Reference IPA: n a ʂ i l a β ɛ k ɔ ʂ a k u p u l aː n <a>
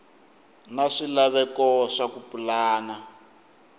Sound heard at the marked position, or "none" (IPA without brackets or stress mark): a